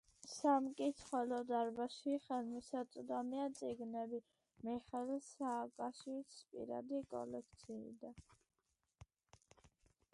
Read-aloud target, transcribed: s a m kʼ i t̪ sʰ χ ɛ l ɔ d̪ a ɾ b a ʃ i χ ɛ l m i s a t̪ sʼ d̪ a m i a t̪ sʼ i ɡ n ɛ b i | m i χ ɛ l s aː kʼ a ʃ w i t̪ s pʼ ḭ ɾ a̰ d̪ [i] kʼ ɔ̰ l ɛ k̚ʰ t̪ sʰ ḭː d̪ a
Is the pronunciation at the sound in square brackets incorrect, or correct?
correct